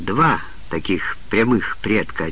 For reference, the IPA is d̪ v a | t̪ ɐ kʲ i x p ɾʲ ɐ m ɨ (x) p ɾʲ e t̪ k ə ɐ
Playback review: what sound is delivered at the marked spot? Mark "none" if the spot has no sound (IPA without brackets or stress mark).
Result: x